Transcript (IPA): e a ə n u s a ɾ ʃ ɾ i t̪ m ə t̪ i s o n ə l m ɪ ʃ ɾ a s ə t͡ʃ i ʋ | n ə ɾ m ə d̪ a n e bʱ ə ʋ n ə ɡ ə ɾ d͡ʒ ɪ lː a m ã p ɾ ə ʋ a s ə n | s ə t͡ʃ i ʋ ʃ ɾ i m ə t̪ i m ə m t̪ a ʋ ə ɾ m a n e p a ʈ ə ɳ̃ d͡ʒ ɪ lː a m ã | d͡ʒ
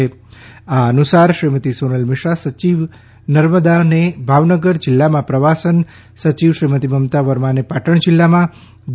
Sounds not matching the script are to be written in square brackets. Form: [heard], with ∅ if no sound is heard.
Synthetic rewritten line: e a ə n u s a ɾ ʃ ɾ i [∅] m ə t̪ i s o n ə l m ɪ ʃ ɾ a s ə t͡ʃ i ʋ | n ə ɾ m ə d̪ a n e bʱ [a] ʋ n ə ɡ ə ɾ d͡ʒ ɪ lː a m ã p ɾ ə ʋ a s ə n | s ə t͡ʃ i ʋ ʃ ɾ i m ə t̪ i m ə m t̪ a ʋ ə ɾ m a n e p a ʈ ə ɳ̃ d͡ʒ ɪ lː a m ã | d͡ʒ